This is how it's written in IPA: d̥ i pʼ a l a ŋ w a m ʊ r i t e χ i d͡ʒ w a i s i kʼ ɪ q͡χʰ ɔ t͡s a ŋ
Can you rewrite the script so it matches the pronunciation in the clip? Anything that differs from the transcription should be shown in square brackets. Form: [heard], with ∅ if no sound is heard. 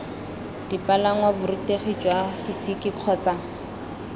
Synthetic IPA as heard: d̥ i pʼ a l a ŋ w a [b] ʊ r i t e χ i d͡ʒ w a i s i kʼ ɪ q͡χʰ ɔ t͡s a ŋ

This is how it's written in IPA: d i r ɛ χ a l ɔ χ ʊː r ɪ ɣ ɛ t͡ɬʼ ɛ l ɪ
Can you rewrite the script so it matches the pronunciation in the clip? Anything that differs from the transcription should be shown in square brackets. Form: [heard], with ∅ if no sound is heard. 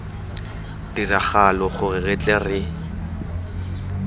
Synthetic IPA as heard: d i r [a] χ a l ɔ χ [ʊ] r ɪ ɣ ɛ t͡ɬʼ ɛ [r] ɪ

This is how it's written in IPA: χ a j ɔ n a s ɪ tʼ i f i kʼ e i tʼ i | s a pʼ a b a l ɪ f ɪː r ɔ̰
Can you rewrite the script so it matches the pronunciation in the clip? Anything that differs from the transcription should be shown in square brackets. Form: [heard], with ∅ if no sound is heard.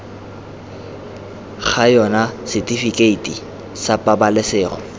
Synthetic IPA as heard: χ a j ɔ n a s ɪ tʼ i f i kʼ e i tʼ i | s a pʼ a b a l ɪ [s] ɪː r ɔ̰

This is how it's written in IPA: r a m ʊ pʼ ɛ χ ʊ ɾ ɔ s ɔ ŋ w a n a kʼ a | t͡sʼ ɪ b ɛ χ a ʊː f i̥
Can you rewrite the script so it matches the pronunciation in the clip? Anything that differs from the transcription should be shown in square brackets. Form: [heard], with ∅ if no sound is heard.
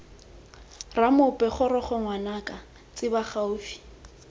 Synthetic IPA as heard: r a m ʊ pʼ ɛ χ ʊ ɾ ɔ [χ] ɔ ŋ w a n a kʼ a | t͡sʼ ɪ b [a] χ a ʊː f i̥

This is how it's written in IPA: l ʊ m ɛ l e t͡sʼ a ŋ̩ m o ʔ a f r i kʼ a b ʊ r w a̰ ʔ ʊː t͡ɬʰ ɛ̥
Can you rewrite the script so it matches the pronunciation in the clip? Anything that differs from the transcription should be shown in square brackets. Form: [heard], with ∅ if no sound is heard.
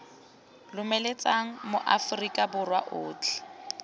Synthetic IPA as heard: l ʊ m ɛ l e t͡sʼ a ŋ̩ m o ʔ a f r i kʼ a b ʊ r w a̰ ʔ ʊː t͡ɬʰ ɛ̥

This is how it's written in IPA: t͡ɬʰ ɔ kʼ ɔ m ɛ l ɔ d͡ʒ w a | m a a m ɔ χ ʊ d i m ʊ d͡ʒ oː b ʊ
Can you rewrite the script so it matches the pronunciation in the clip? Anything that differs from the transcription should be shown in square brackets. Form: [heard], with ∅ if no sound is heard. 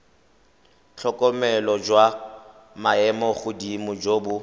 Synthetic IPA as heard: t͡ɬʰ ɔ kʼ ɔ m ɛ l ɔ d͡ʒ w a | m a [ɛ] m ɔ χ ʊ d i m ʊ d͡ʒ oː b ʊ

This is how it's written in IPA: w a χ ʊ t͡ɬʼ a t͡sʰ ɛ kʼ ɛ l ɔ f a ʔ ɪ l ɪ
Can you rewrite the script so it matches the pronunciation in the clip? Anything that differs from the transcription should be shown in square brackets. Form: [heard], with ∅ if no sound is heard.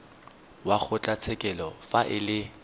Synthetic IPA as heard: w a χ ʊ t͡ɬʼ a t͡sʰ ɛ kʼ ɛ l ɔ f a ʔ ɪ l ɪ

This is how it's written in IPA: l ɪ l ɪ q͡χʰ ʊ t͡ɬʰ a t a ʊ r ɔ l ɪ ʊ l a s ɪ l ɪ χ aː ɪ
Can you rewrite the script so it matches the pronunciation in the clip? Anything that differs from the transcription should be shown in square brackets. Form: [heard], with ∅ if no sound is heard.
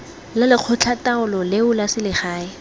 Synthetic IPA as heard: l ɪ l ɪ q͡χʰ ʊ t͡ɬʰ a t a ʊ [l] ɔ l ɪ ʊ l a s ɪ l ɪ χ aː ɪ

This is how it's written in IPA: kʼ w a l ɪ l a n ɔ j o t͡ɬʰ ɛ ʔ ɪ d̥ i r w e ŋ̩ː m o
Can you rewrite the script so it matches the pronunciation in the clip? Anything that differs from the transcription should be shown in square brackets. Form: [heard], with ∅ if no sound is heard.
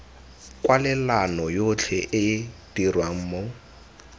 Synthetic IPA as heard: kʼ w a l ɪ l a n ɔ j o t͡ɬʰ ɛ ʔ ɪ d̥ i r w [a] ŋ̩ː m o

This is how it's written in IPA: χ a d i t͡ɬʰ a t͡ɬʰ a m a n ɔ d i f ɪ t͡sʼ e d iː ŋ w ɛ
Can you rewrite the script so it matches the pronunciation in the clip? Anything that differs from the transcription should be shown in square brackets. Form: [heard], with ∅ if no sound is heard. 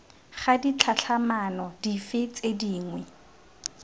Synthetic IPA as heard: χ a d i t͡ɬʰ a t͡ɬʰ a m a n ɔ d i f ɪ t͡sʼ e d iː ŋ w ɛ

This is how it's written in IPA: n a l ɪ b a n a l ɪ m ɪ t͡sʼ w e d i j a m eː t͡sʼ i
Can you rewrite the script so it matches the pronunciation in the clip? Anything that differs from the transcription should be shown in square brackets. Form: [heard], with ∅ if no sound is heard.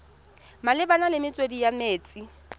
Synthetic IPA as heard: [m] a l ɪ b a n a l ɪ m ɪ t͡sʼ w e d i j a m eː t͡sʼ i

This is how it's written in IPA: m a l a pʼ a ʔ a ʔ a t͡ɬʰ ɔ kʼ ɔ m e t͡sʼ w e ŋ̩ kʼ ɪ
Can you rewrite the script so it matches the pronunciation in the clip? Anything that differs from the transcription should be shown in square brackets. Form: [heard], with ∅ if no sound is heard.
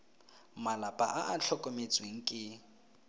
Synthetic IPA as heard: m a l a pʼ a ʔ a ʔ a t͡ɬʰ ɔ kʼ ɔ m e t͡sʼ w e ŋ̩ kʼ ɪ

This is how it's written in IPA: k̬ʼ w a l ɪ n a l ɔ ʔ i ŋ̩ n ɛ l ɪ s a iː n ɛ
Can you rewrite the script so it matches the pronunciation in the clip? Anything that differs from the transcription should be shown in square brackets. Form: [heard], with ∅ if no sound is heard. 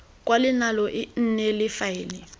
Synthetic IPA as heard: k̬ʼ w a l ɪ n a l ɔ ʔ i [n̩] n ɛ l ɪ [f] a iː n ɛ

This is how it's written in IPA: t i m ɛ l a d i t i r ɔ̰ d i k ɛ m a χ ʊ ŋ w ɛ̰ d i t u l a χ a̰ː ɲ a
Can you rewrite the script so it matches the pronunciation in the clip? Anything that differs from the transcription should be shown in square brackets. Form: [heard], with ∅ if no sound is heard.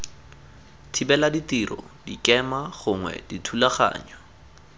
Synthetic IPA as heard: [tʰ] i [b] ɛ l a d i t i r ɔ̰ d i k ɛ m a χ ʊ ŋ w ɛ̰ d i [tʰ] u l a χ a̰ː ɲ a

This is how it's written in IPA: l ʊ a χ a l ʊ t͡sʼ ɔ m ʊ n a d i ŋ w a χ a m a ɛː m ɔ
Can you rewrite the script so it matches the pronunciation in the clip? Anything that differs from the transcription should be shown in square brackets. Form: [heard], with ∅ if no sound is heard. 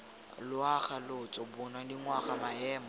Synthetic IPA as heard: l ʊ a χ a l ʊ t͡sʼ ɔ [b] ʊ n a d i ŋ w a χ a m a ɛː m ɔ

